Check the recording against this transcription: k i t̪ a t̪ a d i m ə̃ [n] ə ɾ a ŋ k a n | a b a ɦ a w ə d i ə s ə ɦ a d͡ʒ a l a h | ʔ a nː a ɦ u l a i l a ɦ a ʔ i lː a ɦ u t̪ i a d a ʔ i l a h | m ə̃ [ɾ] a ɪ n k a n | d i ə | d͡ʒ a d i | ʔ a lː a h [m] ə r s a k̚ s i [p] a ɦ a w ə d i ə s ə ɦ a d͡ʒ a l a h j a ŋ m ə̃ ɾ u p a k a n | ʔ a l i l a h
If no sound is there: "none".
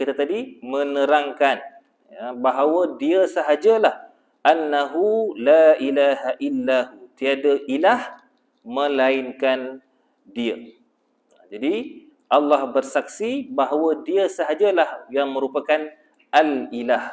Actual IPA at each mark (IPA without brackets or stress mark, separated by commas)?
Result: n, l, b, b